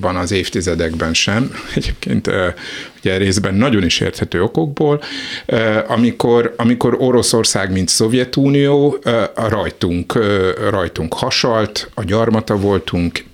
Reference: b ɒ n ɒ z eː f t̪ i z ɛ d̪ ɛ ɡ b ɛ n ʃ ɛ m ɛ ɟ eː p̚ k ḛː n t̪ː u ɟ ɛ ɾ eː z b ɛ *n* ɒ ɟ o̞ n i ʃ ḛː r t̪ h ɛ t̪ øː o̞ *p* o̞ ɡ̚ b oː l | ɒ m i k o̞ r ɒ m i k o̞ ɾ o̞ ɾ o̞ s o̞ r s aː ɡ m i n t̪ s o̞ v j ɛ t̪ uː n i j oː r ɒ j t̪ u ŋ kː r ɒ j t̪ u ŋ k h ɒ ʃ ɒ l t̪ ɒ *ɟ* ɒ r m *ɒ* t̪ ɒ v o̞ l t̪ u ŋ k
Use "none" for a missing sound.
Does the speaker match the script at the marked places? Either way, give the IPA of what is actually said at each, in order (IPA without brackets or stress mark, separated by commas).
nː, k, ɟ, ɒ